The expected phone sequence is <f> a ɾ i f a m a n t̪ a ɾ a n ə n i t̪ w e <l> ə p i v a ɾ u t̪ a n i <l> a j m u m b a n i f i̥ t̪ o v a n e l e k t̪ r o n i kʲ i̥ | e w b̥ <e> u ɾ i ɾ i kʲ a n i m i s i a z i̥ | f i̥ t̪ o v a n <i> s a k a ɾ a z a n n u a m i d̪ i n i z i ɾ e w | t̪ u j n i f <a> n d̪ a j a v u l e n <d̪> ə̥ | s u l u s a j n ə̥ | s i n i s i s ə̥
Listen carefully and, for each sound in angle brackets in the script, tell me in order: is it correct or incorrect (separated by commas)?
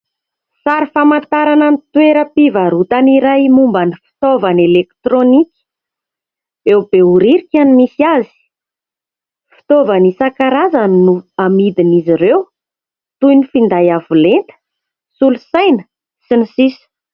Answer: incorrect, incorrect, incorrect, correct, correct, incorrect, incorrect